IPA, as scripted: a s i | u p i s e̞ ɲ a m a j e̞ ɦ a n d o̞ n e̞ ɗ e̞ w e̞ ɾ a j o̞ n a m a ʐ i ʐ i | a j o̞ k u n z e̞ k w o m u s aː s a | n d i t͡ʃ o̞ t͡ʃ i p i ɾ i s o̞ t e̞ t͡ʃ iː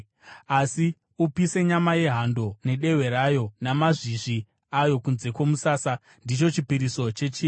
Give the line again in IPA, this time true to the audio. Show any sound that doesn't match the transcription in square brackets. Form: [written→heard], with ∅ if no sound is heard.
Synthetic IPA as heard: a s i | u p i s e̞ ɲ a m a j e̞ ɦ a n d o̞ n e̞ ɗ e̞ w e̞ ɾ a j o̞ n a m a ʐ i ʐ i | a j o̞ k u n z e̞ k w o m u s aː s a | n d i t͡ʃ o̞ t͡ʃ i p i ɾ i s o̞ [t→t͡ʃ] e̞ t͡ʃ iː